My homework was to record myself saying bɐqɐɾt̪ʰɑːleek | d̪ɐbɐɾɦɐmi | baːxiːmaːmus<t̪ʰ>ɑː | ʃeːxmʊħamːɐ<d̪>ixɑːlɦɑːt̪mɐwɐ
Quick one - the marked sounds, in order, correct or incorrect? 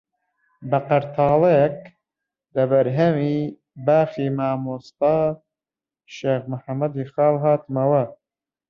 incorrect: t̪, correct

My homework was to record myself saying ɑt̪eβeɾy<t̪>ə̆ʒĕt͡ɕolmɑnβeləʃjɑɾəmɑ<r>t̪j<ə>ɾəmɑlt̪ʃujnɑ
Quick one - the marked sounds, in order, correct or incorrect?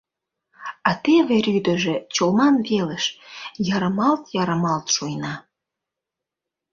incorrect: d̪, incorrect: l, incorrect: ɑ

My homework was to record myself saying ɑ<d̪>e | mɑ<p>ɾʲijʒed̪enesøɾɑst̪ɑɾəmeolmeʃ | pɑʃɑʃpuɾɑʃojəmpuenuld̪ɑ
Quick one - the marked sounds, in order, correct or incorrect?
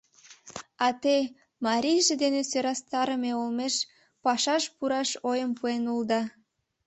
incorrect: t̪, incorrect: none

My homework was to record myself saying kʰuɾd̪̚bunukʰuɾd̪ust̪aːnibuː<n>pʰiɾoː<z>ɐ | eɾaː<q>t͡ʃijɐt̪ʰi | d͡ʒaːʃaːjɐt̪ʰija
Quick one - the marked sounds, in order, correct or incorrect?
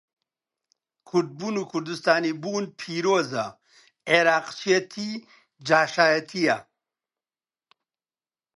correct, correct, correct

